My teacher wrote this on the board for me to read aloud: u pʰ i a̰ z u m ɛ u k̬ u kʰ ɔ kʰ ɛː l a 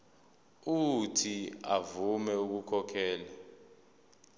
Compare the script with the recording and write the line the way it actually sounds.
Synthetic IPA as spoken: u tʰ i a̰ v u m ɛ u k̬ u kʰ ɔ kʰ ɛː l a